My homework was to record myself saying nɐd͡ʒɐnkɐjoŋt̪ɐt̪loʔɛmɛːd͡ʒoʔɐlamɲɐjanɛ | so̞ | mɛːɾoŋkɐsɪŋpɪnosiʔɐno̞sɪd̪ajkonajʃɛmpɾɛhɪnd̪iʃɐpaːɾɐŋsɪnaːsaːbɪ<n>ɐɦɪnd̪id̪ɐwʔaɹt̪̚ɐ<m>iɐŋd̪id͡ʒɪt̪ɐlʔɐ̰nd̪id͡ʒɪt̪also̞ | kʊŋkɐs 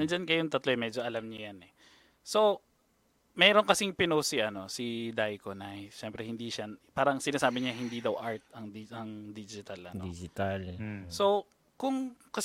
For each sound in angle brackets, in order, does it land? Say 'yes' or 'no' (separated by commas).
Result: no, no